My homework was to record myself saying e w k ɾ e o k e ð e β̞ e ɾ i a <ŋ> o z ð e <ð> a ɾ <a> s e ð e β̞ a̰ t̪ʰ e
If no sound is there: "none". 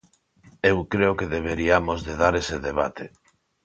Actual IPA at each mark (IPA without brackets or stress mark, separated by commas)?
m, ð, e